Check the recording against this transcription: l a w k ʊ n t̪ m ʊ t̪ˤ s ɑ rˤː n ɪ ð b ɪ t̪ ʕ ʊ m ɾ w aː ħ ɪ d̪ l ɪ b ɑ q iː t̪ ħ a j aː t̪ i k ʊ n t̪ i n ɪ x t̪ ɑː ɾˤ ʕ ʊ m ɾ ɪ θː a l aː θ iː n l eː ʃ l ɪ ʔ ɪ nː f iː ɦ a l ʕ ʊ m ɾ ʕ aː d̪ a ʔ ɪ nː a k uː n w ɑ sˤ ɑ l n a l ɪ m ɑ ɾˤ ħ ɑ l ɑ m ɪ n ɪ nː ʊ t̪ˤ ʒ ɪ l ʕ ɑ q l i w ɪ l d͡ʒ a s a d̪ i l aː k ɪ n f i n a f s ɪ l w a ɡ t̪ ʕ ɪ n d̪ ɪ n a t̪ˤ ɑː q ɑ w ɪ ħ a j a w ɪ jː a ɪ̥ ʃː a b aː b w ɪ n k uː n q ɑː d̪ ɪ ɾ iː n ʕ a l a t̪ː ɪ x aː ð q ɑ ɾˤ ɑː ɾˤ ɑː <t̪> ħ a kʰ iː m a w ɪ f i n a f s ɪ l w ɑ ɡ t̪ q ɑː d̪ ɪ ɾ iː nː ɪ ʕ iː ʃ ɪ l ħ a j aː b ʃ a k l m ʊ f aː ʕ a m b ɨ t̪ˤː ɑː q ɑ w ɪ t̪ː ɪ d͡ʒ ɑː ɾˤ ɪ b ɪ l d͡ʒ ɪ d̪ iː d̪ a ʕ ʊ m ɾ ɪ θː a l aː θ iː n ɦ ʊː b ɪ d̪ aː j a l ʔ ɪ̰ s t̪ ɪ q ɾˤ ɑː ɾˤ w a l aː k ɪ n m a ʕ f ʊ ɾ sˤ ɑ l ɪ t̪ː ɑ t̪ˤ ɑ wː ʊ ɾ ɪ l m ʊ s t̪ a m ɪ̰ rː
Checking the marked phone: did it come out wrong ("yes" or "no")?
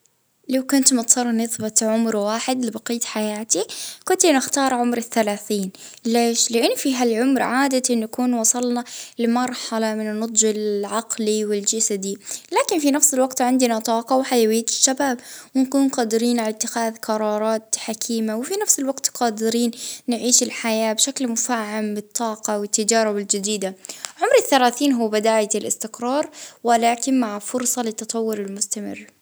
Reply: no